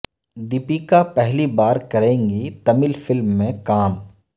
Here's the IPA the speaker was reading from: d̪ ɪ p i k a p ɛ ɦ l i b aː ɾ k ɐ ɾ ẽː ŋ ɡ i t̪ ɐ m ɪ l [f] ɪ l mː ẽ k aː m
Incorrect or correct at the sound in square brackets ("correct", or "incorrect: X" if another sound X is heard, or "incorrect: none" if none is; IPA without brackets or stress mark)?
correct